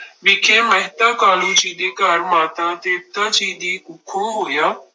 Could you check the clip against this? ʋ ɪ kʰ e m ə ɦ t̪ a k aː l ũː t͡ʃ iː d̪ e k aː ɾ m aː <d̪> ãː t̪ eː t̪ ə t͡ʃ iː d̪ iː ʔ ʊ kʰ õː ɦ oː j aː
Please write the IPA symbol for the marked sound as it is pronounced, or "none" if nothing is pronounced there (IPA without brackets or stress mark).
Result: t̪